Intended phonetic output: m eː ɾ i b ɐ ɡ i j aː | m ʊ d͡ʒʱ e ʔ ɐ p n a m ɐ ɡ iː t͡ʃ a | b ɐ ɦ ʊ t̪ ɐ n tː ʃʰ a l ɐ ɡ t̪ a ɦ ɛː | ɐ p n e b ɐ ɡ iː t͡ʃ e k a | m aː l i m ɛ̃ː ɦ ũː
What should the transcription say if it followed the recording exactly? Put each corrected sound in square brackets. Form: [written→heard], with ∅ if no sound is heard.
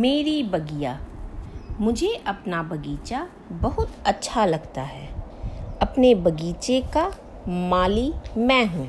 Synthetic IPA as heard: m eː ɾ i b ɐ ɡ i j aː | m ʊ d͡ʒʱ e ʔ ɐ p n a [m→b] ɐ ɡ iː t͡ʃ a | b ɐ ɦ ʊ t̪ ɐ [n→∅] tː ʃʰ a l ɐ ɡ t̪ a ɦ ɛː | ɐ p n e b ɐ ɡ iː t͡ʃ e k a | m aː l i m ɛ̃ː ɦ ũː